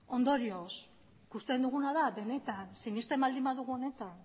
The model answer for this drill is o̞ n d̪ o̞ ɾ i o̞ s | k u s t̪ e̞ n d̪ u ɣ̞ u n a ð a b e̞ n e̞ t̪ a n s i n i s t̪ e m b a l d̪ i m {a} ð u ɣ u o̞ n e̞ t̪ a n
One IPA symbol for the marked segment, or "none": a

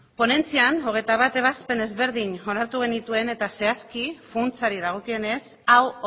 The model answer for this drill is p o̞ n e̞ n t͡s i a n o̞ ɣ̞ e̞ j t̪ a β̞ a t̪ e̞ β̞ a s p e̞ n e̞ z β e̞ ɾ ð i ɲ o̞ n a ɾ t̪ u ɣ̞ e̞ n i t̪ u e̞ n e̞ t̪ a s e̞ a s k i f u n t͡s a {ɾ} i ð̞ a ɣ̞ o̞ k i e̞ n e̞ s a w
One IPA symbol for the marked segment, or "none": ɾ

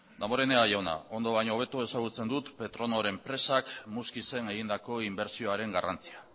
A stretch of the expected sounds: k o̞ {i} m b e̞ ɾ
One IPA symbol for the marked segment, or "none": i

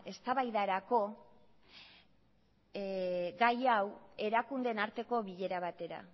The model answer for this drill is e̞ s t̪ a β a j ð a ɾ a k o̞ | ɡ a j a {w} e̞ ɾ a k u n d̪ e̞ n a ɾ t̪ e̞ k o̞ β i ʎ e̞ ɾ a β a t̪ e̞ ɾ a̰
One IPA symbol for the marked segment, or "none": w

